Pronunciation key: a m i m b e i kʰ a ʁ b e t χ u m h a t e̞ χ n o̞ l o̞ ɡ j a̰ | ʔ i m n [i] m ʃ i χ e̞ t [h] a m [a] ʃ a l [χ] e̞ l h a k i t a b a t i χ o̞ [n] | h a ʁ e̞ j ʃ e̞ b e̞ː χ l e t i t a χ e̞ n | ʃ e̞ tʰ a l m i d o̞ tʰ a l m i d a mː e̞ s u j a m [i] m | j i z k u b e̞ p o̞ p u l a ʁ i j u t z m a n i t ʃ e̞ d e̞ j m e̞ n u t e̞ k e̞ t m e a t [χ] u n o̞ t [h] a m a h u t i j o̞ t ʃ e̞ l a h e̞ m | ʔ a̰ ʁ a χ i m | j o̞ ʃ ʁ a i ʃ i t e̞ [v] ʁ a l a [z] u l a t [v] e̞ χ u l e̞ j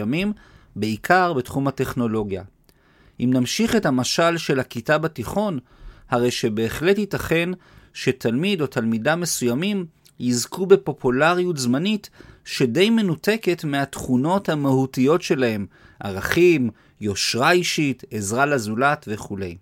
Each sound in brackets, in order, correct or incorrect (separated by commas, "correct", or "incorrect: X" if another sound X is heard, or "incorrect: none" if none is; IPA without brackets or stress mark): incorrect: a, correct, correct, incorrect: ʃ, correct, correct, correct, correct, incorrect: z, correct, correct